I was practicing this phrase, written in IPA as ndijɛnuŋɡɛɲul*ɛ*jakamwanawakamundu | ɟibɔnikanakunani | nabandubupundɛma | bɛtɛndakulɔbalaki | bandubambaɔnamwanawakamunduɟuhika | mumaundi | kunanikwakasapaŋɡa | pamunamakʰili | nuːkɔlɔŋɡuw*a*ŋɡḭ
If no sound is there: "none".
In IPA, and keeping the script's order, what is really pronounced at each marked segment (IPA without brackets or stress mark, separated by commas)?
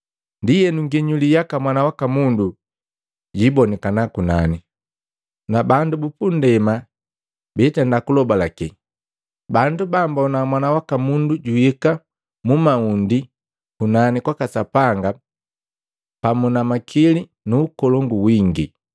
i, i